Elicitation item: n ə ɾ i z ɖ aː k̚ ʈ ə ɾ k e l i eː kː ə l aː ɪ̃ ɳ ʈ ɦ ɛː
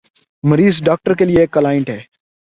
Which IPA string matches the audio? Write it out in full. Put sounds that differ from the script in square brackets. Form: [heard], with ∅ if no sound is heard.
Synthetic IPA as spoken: [m] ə ɾ [iː] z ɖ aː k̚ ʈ ə ɾ k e l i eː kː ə l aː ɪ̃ ɳ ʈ ɦ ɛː